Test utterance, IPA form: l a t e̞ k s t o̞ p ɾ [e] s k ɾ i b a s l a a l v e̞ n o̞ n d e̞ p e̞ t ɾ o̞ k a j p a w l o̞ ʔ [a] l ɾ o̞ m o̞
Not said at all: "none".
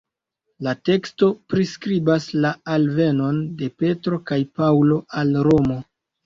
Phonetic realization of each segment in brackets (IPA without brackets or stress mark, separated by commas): i, a